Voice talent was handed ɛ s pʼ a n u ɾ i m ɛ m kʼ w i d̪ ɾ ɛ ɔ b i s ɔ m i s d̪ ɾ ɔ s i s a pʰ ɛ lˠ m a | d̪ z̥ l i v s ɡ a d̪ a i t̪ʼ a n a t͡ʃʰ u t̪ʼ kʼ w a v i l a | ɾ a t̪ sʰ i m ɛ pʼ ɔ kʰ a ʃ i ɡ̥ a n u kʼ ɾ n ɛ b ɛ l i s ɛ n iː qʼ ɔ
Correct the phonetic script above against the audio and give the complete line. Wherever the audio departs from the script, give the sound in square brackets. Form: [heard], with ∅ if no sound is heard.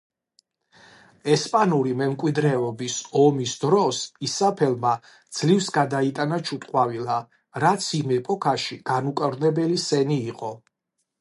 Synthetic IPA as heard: ɛ s pʼ a n u ɾ i m ɛ m kʼ w i d̪ ɾ ɛ ɔ b i s ɔ m i s d̪ ɾ ɔ s i s a pʰ ɛ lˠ m a | d̪ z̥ l i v s ɡ a d̪ a i t̪ʼ a n a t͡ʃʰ u t̪ʼ [qʼ] w a v i l a | ɾ a t̪ sʰ i m ɛ pʼ ɔ kʰ a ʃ i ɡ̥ a n u kʼ ɾ n ɛ b ɛ l i s ɛ n iː qʼ ɔ